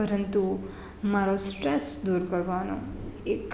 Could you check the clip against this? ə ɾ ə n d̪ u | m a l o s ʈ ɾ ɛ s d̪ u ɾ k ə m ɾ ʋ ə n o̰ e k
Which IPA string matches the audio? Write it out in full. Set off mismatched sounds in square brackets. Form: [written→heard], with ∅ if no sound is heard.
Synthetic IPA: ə ɾ ə n [d̪→t̪] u | m a [l→ɾ] o s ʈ ɾ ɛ s d̪ u ɾ k ə [m→∅] ɾ ʋ [ə→a] n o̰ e k